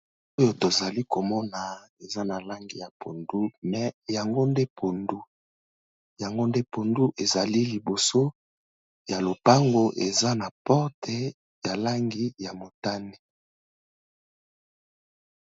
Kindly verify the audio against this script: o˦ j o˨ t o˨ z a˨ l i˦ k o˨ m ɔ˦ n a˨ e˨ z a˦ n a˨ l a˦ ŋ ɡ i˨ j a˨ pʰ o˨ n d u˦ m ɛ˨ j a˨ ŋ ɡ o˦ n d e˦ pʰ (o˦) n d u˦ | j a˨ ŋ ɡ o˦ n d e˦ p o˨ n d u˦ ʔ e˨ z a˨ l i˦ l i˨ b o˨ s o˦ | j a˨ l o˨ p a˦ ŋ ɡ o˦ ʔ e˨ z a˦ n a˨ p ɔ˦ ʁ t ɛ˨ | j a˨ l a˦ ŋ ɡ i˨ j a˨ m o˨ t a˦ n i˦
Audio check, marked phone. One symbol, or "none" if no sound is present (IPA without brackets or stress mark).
o˨